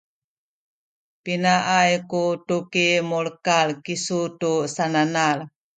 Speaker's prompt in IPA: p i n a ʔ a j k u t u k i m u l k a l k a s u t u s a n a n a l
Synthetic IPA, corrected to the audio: p i n a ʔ a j k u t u k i m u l k a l k i s u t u s a n a n a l